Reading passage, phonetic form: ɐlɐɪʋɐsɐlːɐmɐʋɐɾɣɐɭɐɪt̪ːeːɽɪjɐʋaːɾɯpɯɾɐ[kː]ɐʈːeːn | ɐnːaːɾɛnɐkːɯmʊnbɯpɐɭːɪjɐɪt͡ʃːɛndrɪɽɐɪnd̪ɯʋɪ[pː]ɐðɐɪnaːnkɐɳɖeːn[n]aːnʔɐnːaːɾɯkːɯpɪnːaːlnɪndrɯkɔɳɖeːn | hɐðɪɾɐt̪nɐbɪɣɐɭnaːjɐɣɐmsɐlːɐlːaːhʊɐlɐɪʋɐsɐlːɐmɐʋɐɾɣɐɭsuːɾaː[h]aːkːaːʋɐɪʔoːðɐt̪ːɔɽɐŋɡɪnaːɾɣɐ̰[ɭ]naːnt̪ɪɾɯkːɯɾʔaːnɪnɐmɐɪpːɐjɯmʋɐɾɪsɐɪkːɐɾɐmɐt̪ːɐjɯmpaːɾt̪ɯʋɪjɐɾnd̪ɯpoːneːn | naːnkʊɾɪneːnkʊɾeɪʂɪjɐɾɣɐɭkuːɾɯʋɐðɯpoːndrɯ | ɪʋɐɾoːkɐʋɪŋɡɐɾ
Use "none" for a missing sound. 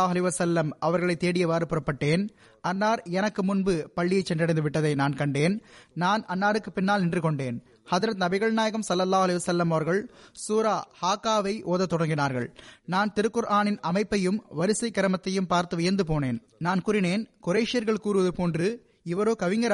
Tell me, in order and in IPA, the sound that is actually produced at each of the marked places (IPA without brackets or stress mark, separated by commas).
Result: pː, ʈː, n, h, ɭ